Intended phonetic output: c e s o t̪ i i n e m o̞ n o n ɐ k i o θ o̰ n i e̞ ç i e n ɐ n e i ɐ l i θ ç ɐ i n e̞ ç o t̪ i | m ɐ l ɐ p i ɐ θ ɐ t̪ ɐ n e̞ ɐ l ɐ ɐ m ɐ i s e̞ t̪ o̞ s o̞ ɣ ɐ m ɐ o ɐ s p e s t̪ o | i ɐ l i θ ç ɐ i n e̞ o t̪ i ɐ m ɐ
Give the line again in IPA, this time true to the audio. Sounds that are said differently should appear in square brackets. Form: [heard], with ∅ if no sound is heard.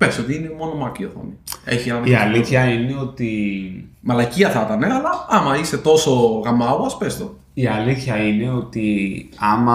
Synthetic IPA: [p] e s o t̪ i i n e m o̞ n o [m] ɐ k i o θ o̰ n i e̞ ç i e n ɐ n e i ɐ l i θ ç ɐ i n e̞ [∅] o t̪ i | m ɐ l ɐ [c] i ɐ θ ɐ t̪ ɐ n e̞ ɐ l ɐ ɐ m ɐ i s e̞ t̪ o̞ s o̞ ɣ ɐ m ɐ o ɐ s p e s t̪ o | i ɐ l i θ ç ɐ i n e̞ o t̪ i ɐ m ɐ